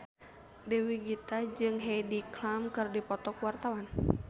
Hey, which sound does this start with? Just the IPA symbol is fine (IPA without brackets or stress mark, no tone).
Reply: d